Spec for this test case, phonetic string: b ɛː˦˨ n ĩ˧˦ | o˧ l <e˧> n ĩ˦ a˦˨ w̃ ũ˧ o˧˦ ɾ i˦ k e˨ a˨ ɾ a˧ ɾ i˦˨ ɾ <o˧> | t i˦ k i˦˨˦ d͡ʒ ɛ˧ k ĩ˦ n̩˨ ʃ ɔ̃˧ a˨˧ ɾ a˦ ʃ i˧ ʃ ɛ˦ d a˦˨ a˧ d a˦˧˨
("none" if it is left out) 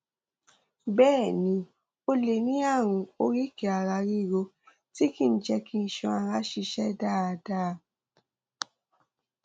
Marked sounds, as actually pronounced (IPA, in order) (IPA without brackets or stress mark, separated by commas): e˧, o˧